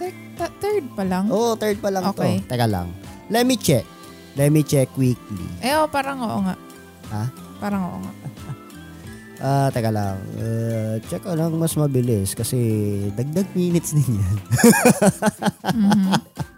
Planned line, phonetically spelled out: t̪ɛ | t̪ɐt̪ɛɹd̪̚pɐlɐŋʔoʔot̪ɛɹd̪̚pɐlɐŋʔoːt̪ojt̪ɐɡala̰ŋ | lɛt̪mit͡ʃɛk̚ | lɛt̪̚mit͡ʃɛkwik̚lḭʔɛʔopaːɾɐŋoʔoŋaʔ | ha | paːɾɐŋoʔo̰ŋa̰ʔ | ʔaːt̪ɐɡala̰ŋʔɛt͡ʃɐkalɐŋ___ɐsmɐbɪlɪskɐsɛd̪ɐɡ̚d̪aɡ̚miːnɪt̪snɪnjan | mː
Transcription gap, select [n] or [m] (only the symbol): m